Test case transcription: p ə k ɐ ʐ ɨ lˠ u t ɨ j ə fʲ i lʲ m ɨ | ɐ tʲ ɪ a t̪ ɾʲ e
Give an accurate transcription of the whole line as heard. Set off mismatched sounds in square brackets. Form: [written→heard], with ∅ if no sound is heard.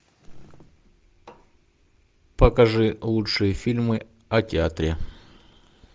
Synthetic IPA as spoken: p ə k ɐ ʐ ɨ lˠ u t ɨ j ə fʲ i lʲ m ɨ | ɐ tʲ ɪ a t̪ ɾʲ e